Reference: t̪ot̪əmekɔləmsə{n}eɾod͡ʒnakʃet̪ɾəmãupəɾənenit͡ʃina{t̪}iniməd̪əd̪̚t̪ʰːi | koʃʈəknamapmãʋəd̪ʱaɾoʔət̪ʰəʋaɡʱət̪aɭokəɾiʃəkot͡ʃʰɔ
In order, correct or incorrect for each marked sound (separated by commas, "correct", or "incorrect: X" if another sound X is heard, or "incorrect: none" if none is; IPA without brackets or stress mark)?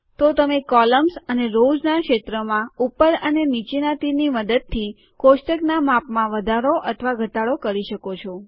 correct, correct